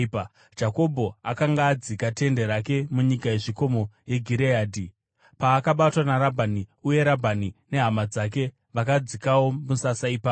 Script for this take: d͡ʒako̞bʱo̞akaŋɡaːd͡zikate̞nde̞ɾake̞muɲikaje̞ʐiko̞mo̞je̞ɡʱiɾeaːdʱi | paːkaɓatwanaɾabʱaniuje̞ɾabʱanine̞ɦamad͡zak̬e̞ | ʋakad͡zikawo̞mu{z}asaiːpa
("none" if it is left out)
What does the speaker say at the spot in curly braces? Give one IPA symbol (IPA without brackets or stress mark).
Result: s